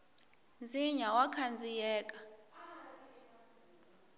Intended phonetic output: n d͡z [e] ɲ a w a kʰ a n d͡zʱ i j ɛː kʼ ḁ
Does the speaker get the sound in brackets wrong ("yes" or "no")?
yes